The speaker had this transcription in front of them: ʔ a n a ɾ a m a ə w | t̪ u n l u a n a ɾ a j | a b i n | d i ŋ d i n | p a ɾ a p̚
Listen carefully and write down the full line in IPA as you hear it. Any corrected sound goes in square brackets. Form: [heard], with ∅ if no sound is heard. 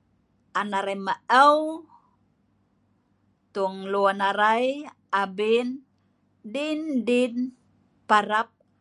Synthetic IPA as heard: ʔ a n a ɾ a m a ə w | t̪ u [ŋ] l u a n a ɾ a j | a b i n | d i [n] d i n | p a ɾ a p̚

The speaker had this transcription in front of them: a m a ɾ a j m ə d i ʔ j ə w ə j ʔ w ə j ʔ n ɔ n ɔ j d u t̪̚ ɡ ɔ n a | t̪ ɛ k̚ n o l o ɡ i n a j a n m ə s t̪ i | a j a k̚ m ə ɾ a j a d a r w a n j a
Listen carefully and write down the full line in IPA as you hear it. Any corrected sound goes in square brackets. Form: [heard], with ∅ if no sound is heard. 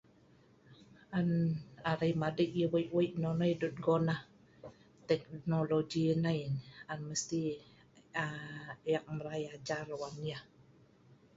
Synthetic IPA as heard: a [n] a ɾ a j m [a] d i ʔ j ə w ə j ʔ w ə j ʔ n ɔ n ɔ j d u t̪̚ ɡ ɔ n a | t̪ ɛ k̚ n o l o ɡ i n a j a n m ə s t̪ i | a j a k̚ m ə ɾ a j a [d͡ʒ] a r w a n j a

